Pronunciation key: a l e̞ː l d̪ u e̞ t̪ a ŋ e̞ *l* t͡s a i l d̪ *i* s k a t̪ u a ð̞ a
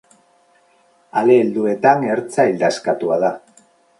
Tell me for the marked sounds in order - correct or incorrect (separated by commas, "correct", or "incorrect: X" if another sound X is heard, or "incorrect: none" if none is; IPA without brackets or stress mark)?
incorrect: ɾ, incorrect: a